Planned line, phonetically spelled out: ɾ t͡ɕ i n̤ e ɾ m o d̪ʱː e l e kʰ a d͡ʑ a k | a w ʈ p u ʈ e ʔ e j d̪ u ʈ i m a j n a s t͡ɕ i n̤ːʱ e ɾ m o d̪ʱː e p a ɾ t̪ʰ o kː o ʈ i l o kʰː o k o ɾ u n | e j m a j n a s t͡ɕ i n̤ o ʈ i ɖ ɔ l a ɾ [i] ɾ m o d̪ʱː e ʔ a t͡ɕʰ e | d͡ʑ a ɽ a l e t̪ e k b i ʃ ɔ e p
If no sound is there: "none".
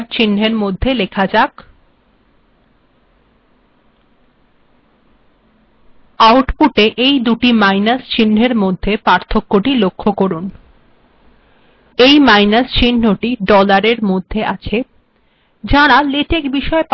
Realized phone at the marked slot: e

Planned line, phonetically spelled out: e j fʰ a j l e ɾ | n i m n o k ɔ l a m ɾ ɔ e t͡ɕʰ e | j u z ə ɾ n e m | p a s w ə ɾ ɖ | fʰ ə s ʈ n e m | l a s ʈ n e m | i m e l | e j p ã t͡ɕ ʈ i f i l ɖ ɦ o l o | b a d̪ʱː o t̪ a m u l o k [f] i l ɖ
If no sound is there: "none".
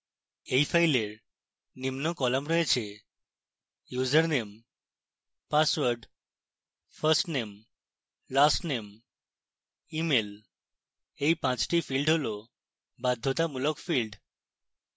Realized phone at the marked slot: f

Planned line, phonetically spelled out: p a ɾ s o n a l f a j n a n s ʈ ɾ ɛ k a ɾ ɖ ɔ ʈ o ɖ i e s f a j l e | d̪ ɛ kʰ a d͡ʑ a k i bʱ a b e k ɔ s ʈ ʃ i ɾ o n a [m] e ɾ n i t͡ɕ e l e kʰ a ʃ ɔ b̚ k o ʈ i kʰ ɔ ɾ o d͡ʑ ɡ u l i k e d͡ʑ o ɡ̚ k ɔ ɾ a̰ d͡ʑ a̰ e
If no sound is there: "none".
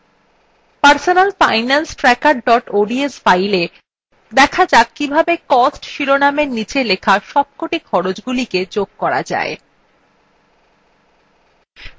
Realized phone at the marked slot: m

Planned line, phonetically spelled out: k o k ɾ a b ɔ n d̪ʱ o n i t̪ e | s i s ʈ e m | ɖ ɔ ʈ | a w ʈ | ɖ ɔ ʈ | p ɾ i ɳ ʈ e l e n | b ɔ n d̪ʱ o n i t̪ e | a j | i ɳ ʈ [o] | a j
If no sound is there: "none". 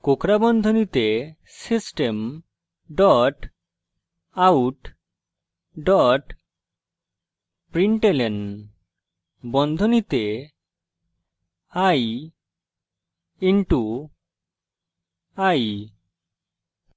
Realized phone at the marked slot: u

